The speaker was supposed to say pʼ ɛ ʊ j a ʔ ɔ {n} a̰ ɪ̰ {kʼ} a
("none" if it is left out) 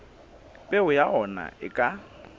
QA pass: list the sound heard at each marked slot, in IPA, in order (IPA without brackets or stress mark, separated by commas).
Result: n, kʼ